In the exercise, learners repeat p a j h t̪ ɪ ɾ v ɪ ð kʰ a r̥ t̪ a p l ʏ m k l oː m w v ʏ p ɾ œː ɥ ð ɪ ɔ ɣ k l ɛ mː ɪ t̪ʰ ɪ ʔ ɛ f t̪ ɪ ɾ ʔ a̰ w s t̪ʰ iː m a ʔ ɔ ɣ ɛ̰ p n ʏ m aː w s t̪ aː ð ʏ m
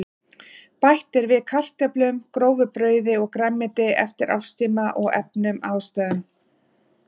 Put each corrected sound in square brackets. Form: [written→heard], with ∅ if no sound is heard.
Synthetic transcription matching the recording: p a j h t̪ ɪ ɾ v ɪ ð kʰ a r̥ t̪ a p l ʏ m k [l→ɾ] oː [m→∅] w v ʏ p ɾ œː ɥ ð ɪ ɔ ɣ k [l→ɾ] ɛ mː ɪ [t̪ʰ→t̪] ɪ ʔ ɛ f t̪ ɪ ɾ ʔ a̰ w s [t̪ʰ→t̪] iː m a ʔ ɔ ɣ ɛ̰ p n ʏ m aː w s t̪ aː ð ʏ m